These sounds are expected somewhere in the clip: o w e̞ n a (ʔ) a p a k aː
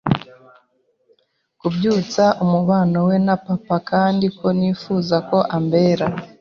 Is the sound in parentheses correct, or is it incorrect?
incorrect